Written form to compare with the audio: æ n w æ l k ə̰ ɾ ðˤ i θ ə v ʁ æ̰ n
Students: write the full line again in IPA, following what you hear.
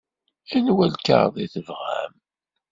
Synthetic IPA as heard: æ n w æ l k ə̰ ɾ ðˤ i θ ə v ʁ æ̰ m